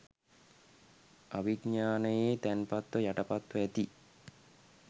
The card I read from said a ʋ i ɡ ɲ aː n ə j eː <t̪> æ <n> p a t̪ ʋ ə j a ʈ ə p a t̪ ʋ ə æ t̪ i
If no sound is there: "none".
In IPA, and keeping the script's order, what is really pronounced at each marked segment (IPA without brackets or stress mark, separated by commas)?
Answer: t̪, n